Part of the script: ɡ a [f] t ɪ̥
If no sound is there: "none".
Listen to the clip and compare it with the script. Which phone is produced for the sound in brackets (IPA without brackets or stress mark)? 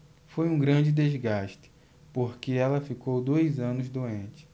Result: ʃ